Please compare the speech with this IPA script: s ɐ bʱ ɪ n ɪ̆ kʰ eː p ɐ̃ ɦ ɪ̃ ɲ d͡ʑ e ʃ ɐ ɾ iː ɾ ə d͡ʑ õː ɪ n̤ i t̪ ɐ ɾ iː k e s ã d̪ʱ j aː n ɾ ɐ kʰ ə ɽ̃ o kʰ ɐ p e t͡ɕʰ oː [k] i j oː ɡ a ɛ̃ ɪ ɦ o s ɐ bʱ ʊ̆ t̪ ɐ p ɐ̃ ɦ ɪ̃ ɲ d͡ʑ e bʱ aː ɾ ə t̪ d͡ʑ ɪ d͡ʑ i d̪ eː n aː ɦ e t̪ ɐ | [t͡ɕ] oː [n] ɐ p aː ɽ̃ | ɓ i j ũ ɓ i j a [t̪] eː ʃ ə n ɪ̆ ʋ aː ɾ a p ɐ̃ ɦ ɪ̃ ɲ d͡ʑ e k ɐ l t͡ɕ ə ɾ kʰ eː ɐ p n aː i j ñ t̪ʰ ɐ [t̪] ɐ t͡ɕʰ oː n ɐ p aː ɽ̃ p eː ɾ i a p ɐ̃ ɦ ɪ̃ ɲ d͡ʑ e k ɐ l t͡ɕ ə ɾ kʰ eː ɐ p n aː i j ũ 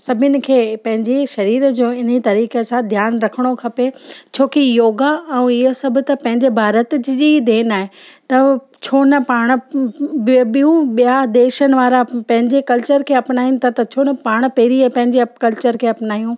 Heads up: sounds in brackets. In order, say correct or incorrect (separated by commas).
correct, incorrect, correct, incorrect, correct